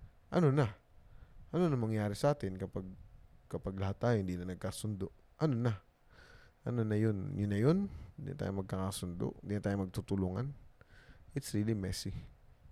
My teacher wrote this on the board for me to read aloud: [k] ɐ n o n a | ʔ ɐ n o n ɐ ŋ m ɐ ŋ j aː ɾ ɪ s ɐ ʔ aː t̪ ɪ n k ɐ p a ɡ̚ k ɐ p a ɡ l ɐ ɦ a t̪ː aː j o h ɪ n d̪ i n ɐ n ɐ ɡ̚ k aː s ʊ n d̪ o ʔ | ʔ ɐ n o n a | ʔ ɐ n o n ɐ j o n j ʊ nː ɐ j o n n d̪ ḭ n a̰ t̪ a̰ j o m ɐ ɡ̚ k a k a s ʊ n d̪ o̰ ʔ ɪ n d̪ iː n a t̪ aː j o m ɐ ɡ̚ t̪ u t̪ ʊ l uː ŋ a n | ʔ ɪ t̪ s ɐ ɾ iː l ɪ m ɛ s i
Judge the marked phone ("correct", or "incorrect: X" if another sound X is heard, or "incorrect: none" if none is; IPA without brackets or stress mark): incorrect: ʔ